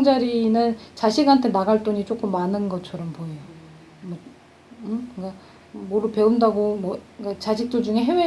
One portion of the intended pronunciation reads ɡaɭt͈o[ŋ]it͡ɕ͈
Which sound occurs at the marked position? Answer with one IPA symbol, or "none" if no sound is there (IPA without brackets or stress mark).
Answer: ɲ